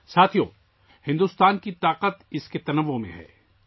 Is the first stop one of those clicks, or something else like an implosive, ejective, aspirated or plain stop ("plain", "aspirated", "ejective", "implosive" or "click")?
aspirated